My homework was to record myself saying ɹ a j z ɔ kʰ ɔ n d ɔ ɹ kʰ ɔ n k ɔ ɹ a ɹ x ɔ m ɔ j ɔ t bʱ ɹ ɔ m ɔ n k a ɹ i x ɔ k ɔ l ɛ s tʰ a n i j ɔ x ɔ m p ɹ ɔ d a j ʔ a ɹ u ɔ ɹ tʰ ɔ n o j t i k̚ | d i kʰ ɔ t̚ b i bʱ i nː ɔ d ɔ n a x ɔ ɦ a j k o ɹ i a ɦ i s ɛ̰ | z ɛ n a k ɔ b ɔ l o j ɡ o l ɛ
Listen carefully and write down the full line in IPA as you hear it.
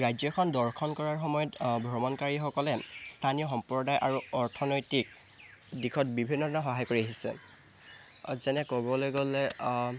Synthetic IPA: ɹ a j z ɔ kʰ ɔ n d ɔ ɹ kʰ ɔ n k ɔ ɹ a ɹ x ɔ m ɔ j ɔ t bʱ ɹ ɔ m ɔ n k a ɹ i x ɔ k ɔ l ɛ s tʰ a n i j ɔ x ɔ m p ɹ ɔ d a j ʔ a ɹ u ɔ ɹ tʰ ɔ n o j t i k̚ | d i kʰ ɔ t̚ b i bʱ i nː ɔ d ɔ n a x ɔ ɦ a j k o ɹ i a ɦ i s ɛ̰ | z ɛ n ɛ k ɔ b ɔ l o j ɡ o l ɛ